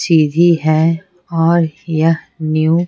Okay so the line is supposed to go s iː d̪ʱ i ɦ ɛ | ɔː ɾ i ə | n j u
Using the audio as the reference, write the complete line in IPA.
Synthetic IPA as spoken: s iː d̪ʱ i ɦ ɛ | ɔː ɾ j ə | n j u